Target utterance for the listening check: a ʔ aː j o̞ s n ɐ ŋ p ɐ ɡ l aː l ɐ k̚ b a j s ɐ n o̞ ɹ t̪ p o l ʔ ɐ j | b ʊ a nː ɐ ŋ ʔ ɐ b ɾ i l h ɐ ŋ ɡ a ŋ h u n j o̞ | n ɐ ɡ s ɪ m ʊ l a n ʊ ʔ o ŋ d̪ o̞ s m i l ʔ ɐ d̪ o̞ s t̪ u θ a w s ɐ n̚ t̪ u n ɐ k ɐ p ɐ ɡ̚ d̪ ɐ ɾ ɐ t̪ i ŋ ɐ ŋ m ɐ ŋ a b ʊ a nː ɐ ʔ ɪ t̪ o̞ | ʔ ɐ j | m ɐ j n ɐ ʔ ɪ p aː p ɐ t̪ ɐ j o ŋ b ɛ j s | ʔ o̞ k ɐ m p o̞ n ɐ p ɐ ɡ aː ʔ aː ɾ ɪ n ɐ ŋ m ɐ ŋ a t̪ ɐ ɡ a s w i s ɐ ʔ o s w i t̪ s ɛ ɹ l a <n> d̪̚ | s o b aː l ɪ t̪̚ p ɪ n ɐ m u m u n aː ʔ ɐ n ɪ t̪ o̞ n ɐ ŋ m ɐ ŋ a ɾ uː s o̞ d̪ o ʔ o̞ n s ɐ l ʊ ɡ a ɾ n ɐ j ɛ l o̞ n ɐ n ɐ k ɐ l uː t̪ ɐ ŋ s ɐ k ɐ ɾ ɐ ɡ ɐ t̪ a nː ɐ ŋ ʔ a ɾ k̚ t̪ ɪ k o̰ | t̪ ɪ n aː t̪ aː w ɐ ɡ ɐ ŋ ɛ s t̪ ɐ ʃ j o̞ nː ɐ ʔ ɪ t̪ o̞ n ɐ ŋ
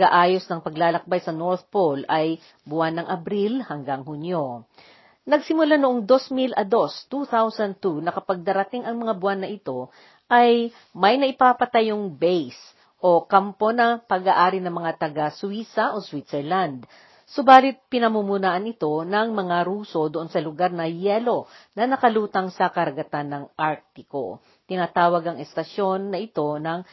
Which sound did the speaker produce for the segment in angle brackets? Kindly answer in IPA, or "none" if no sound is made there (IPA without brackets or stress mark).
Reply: n